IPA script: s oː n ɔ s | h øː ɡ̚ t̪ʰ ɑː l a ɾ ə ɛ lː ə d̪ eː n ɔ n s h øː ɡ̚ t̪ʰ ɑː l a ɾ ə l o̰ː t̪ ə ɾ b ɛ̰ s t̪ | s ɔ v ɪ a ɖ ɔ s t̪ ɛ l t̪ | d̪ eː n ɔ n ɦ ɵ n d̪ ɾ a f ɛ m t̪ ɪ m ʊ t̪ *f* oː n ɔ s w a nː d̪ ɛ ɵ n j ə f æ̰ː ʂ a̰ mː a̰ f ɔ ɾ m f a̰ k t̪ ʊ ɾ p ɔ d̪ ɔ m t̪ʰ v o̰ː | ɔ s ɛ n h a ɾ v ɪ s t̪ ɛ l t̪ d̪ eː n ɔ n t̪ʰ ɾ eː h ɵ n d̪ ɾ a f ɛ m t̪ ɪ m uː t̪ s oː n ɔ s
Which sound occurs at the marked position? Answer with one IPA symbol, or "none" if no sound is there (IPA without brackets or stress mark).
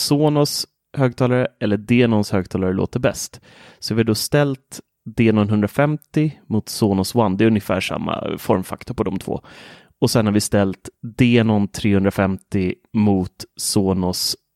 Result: s